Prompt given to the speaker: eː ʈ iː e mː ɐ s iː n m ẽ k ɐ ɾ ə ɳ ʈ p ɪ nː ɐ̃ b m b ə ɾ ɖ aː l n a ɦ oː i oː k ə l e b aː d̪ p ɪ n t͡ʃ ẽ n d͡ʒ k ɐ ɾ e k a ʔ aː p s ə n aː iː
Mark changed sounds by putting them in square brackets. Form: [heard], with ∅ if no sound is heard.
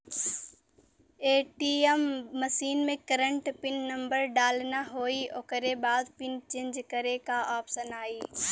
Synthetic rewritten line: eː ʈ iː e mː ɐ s iː n m ẽ k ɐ ɾ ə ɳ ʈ p ɪ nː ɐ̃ [∅] m b ə ɾ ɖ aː l n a ɦ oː i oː k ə [ɾ] e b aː d̪ p ɪ n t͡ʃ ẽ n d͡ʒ k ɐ ɾ e k a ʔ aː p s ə n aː iː